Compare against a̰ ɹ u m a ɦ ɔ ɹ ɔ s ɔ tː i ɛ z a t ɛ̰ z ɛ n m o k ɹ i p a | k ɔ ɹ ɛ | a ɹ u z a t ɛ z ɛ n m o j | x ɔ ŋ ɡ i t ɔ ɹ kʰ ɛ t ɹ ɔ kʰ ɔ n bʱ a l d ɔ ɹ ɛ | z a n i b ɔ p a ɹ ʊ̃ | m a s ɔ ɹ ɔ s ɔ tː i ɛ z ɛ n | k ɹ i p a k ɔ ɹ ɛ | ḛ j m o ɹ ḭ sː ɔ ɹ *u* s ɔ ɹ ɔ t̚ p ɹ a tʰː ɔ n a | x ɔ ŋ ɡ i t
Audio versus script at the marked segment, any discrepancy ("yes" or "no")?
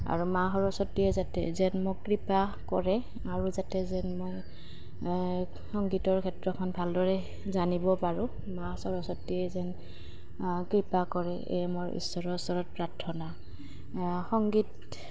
yes